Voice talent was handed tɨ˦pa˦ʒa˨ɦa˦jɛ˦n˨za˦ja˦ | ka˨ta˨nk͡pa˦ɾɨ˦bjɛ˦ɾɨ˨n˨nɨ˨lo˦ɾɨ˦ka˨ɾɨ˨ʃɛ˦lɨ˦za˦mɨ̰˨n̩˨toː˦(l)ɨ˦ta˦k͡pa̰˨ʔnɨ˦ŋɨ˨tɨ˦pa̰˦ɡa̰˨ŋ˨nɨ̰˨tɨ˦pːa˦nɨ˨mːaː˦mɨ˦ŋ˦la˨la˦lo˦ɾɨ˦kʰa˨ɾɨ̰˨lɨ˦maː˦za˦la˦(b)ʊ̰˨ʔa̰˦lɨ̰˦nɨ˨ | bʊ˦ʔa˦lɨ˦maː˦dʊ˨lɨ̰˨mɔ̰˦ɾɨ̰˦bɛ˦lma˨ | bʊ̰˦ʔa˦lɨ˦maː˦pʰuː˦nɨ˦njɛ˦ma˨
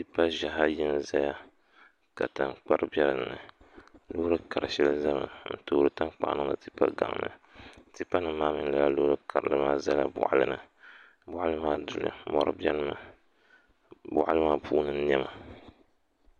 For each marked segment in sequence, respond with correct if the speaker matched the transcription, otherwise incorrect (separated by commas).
incorrect, correct